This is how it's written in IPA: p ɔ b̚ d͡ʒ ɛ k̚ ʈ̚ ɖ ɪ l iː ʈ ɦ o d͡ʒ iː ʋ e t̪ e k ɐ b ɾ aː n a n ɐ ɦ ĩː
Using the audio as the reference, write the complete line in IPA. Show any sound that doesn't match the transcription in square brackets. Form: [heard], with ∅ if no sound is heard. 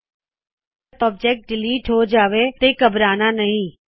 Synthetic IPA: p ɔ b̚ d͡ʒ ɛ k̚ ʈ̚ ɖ ɪ l iː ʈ ɦ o d͡ʒ [aː] ʋ e t̪ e k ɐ b ɾ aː n a n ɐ ɦ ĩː

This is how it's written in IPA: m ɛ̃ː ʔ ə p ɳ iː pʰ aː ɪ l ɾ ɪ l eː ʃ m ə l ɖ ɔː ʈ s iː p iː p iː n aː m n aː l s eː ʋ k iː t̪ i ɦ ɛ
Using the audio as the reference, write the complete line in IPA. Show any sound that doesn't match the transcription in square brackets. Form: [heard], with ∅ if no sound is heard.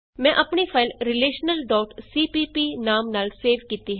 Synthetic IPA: m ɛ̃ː ʔ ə p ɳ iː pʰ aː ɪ l ɾ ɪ l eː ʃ [n] ə l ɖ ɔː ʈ s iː p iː p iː n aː m n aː l s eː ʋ k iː t̪ i ɦ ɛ

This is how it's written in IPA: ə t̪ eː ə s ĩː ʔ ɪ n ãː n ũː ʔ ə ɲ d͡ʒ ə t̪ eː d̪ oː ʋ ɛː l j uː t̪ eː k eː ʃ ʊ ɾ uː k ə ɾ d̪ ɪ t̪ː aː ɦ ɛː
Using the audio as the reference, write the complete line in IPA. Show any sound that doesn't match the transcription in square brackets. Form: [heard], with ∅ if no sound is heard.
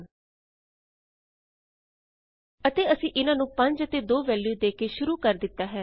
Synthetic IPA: ə t̪ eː ə s ĩː ʔ ɪ n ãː n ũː [p] ə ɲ d͡ʒ ə t̪ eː d̪ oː ʋ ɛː l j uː [d̪] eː k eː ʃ ʊ ɾ uː k ə ɾ d̪ ɪ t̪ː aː ɦ ɛː

